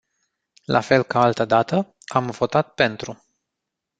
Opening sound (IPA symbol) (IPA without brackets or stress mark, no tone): l